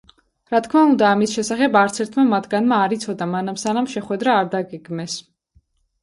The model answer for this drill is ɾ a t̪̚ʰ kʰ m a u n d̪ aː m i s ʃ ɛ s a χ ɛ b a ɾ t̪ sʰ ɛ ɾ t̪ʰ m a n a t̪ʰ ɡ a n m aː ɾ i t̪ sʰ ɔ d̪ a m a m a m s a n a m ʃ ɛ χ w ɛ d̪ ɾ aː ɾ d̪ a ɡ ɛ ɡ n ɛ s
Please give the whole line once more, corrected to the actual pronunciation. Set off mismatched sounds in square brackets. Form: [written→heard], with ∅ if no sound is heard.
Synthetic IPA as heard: ɾ a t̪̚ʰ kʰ m a u n d̪ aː m i s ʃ ɛ s a χ ɛ b a ɾ t̪ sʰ ɛ ɾ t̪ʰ m a [n→m] a t̪ʰ ɡ a n m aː ɾ i t̪ sʰ ɔ d̪ a m a [m→n] a m s a n a m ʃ ɛ χ w ɛ d̪ ɾ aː ɾ d̪ a ɡ ɛ ɡ [n→m] ɛ s